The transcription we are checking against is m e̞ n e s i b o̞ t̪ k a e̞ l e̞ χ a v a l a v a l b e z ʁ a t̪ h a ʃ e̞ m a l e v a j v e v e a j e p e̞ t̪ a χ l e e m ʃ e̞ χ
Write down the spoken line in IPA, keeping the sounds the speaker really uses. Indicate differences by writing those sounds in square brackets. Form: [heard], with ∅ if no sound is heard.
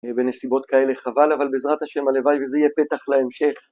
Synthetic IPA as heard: [b] e̞ n e s i b o̞ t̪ k a e̞ l e̞ χ a v a l a v a l b e z ʁ a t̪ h a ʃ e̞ m a l e v a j v e [z] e [i] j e p e̞ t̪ a χ l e e m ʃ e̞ χ